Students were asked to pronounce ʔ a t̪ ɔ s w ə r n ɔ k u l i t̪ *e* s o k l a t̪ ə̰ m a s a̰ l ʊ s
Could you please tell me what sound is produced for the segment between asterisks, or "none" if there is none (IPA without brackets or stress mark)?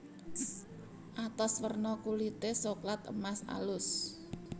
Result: e